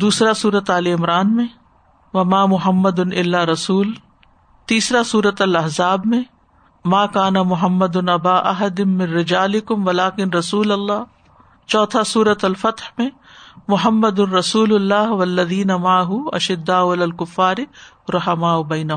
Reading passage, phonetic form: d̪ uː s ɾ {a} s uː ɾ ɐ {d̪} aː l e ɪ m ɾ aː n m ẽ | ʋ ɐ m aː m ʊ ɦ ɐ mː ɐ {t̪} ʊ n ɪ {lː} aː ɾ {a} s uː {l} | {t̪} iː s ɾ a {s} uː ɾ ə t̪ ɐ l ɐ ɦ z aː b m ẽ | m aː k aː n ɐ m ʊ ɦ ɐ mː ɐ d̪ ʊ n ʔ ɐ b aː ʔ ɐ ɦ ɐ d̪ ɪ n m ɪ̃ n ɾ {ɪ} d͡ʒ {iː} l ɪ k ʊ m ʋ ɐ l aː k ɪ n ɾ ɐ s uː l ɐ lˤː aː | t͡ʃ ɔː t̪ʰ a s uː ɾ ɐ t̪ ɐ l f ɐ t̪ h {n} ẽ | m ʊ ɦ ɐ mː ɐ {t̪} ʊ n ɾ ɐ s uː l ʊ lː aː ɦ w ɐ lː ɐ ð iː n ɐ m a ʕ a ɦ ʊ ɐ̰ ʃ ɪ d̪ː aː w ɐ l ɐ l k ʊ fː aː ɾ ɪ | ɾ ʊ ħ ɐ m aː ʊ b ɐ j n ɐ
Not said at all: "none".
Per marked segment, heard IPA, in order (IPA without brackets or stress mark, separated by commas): a, t̪, d̪, lː, ɐ, l, t̪, s, ɪ, aː, m, d̪